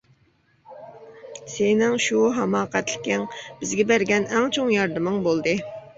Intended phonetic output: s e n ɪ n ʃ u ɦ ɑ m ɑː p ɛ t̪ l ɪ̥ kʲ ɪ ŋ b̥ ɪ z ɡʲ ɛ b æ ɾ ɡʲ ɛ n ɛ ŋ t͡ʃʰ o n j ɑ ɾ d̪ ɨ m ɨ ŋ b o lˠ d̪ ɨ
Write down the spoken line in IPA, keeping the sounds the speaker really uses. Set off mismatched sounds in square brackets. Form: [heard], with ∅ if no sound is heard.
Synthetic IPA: s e n ɪ [ŋ] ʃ u ɦ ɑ m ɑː [q] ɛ t̪ l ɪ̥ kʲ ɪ ŋ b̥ ɪ z ɡʲ ɛ b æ ɾ ɡʲ ɛ n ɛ ŋ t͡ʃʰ o [ŋ] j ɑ ɾ d̪ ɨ m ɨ ŋ b o lˠ d̪ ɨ